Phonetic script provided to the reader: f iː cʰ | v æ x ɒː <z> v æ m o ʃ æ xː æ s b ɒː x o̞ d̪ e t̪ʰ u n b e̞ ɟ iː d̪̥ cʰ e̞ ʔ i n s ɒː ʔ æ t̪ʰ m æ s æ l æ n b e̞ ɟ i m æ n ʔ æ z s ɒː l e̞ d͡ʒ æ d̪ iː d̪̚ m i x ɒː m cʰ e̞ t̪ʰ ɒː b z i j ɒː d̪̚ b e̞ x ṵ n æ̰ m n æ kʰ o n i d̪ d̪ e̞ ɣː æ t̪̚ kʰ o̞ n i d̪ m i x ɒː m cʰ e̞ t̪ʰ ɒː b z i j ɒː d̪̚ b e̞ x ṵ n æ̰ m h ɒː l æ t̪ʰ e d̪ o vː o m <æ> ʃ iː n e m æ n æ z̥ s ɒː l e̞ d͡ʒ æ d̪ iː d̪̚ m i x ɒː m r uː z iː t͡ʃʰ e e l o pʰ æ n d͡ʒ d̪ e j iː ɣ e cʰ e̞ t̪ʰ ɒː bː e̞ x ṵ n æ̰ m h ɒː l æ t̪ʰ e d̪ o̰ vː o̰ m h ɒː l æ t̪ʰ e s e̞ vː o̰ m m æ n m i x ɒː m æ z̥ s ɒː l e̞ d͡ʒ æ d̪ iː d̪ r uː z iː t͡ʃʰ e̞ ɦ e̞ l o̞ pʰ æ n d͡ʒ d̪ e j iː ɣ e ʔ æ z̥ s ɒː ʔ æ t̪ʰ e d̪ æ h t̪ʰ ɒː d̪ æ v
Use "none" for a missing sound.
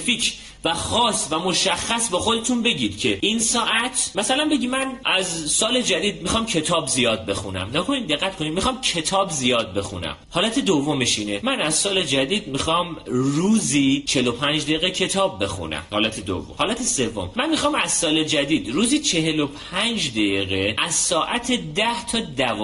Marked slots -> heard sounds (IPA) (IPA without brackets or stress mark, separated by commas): s, e